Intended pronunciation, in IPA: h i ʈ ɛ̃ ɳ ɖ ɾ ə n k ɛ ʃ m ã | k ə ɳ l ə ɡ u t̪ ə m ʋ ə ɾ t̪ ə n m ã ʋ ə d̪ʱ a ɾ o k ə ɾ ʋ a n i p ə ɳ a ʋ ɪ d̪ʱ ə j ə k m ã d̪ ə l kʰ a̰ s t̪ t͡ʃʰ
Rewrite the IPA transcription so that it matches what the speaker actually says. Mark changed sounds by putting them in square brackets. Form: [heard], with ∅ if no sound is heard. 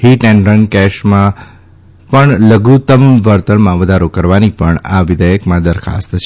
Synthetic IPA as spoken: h i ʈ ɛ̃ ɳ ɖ ɾ ə n k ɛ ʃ m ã | [p] ə ɳ l ə ɡ u t̪ ə m ʋ ə ɾ t̪ ə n m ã ʋ ə d̪ʱ a ɾ o k ə ɾ ʋ a n i p ə ɳ a ʋ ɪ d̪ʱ ə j ə k m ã d̪ ə [ɾ] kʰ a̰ s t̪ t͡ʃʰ